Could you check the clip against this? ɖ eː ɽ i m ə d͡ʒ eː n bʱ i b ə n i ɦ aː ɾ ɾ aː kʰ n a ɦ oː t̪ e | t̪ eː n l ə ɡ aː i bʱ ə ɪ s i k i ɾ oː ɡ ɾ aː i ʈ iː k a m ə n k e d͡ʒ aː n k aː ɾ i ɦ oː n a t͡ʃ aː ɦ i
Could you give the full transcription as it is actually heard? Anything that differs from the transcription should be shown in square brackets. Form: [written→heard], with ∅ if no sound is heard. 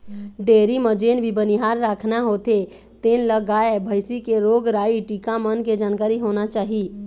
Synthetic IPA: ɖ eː [ɽ→ɾ] i m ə d͡ʒ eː n bʱ i b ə n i ɦ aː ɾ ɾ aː kʰ n a ɦ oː t̪ e | t̪ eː n l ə ɡ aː [i→e] bʱ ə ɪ s i k [i→e] ɾ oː ɡ ɾ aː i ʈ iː k a m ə n k e d͡ʒ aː n k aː ɾ i ɦ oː n a t͡ʃ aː ɦ i